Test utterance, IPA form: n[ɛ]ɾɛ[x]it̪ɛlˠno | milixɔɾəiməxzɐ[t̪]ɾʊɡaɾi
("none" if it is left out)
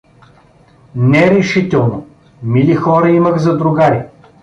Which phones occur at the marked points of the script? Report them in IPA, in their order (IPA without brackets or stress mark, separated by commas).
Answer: ɛ, ʃ, d̪